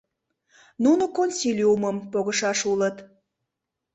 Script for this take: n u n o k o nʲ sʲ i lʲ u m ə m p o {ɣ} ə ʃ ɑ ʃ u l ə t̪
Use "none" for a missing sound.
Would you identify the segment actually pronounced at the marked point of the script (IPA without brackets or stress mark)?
ɣ